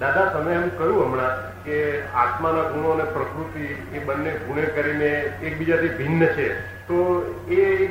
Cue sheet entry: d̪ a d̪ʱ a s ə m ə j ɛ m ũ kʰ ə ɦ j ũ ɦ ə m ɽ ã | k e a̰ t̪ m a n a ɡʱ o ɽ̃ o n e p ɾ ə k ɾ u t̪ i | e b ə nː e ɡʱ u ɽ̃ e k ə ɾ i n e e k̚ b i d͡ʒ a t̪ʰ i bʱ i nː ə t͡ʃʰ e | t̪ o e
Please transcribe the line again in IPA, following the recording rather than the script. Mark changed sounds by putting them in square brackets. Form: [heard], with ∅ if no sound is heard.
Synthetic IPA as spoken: d̪ a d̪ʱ a s ə m ə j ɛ m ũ [k] ə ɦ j ũ ɦ ə m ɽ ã | k e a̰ t̪ m a n a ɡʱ [u] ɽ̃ o n e p ɾ ə k ɾ u t̪ i | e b ə nː e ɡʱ u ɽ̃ e k ə ɾ i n e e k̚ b i d͡ʒ a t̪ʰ i bʱ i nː ə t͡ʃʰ e | t̪ o e